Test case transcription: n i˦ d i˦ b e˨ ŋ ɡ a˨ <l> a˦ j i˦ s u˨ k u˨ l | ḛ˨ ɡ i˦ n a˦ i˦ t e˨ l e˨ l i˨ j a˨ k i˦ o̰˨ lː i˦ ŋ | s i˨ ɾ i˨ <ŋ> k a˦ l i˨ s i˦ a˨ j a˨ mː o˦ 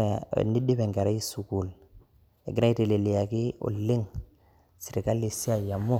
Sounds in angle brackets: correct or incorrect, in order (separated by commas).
incorrect, incorrect